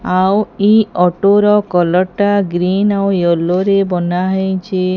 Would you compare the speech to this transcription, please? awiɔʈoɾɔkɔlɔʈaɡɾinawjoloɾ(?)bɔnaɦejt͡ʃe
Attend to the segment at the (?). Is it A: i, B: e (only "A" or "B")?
B